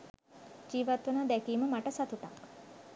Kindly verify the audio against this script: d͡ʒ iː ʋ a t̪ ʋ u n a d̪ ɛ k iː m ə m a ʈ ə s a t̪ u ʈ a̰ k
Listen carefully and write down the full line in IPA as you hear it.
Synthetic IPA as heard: d͡ʒ iː ʋ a t̪ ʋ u n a d̪ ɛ k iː m ə m a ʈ ə s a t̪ u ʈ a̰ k